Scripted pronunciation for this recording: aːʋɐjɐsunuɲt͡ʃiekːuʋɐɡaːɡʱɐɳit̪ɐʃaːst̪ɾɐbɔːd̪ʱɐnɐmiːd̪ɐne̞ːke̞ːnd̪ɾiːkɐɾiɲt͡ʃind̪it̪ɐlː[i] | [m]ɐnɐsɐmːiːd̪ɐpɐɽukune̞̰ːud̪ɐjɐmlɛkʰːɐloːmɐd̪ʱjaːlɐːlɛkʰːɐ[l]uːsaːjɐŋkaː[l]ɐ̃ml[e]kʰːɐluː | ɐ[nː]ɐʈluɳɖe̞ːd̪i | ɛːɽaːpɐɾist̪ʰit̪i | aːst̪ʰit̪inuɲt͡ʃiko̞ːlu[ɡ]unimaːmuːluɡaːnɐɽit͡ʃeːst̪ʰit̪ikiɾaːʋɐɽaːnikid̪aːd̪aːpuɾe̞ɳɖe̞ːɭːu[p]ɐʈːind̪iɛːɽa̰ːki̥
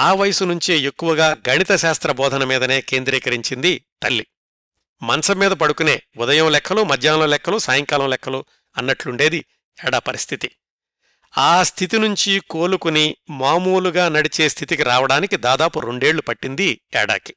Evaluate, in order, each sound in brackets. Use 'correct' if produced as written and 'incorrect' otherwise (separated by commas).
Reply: correct, correct, correct, correct, incorrect, correct, incorrect, correct